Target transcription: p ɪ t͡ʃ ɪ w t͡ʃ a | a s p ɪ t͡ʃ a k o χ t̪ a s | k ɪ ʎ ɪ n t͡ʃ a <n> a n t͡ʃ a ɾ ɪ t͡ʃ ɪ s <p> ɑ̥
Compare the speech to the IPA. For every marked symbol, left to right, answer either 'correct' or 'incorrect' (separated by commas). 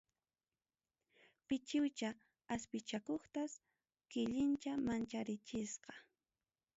incorrect, incorrect